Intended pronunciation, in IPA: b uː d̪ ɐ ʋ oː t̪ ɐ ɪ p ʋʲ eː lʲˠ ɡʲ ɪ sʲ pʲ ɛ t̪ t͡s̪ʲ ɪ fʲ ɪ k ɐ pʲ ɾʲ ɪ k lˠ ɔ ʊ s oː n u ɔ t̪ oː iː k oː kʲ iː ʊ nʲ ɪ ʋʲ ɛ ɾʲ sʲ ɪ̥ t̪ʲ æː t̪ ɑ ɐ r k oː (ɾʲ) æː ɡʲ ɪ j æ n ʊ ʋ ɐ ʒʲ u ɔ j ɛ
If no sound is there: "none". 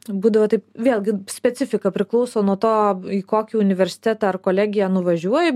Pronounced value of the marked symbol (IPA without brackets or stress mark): lʲ